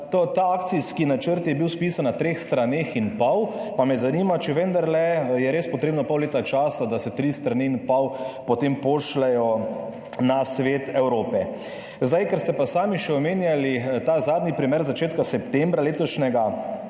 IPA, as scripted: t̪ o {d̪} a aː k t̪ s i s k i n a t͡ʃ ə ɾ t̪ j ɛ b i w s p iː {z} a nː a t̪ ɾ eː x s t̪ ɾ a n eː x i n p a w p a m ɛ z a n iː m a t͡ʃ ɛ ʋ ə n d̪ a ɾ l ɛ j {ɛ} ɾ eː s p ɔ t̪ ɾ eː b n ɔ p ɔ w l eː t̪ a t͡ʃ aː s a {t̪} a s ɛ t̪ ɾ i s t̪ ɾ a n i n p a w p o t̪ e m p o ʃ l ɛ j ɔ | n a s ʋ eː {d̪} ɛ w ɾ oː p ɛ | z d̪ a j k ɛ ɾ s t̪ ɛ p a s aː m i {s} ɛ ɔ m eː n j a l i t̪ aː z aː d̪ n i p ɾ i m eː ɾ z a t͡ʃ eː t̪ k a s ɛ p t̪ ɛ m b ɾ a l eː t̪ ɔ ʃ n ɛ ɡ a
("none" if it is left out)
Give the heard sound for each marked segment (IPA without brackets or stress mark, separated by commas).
t̪, s, ɛ, d̪, t̪, ʃ